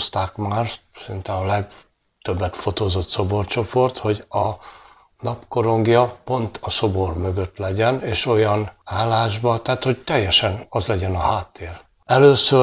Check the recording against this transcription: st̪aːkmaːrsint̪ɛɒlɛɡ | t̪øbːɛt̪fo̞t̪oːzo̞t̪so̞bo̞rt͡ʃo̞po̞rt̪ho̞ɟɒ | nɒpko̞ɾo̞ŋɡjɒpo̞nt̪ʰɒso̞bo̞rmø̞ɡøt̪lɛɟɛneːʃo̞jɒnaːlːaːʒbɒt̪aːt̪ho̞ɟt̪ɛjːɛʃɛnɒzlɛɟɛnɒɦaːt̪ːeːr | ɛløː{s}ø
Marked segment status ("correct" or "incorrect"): correct